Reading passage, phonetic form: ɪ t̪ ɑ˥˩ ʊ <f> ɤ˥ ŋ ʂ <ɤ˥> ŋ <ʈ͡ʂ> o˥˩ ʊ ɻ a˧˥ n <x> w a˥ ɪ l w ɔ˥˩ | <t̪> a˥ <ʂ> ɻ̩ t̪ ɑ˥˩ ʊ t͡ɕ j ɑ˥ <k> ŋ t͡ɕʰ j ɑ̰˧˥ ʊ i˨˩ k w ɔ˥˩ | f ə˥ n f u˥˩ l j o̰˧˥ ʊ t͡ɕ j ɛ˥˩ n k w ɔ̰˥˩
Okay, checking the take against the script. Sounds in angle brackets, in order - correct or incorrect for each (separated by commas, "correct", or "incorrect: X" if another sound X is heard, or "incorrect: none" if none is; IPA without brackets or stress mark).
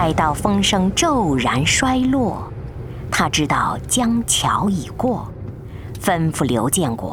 correct, correct, correct, incorrect: ʂ, incorrect: t̪ʰ, incorrect: ʈ͡ʂ, incorrect: none